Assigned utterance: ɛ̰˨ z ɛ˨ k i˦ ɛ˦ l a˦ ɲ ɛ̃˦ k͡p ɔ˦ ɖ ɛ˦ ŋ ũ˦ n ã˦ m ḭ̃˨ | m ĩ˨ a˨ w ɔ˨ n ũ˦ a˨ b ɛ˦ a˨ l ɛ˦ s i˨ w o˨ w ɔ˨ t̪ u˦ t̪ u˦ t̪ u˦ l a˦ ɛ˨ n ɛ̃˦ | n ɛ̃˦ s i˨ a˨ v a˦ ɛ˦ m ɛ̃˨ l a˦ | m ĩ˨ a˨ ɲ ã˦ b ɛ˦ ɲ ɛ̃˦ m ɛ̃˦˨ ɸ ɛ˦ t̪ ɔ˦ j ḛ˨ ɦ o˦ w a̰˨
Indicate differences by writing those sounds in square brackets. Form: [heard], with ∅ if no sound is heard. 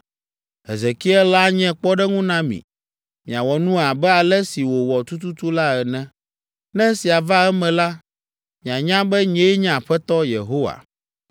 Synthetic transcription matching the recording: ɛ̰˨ z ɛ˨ k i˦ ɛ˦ l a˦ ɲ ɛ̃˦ k͡p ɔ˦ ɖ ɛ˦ ŋ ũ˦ n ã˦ m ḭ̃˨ | m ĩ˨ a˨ w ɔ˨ n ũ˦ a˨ b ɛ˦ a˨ l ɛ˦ s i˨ w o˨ w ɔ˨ t̪ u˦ t̪ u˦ t̪ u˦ l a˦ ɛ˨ n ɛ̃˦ | n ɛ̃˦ s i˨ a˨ v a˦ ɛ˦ m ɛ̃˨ l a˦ | m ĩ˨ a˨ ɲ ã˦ b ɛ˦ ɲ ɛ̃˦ [ɲ] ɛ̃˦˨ ɸ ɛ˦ t̪ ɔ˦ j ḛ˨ ɦ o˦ w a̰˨